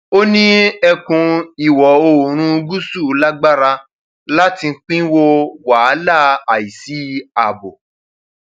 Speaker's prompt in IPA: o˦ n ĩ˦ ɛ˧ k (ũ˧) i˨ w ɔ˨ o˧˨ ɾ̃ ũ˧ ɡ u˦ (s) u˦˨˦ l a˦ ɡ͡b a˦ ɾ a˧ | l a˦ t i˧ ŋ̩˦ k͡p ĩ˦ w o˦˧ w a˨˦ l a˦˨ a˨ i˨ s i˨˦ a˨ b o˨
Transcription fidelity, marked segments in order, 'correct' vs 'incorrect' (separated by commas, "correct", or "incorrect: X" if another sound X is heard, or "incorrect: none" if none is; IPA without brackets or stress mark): correct, correct